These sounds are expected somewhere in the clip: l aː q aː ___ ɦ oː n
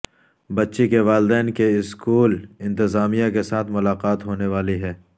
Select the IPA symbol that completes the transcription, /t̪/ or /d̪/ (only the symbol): t̪